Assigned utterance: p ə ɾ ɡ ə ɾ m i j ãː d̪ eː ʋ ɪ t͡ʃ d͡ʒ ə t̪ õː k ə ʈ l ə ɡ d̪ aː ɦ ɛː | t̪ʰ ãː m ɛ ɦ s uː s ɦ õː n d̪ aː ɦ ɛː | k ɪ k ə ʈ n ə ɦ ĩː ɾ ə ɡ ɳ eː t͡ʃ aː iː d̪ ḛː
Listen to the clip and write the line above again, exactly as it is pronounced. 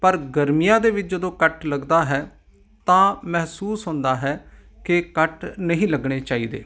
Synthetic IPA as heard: p ə ɾ ɡ ə ɾ m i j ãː d̪ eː ʋ ɪ t͡ʃ d͡ʒ ə d̪ õː k ə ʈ l ə ɡ d̪ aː ɦ ɛː | t̪ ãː m ɛ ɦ s uː s ɦ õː n d̪ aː ɦ ɛː | k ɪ k ə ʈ n ə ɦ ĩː l ə ɡ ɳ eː t͡ʃ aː iː d̪ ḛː